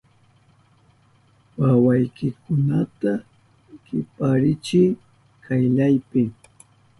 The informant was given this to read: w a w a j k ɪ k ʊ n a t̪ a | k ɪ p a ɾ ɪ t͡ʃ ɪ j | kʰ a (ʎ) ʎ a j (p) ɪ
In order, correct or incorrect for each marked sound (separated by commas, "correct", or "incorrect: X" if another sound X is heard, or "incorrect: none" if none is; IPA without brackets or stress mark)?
incorrect: j, correct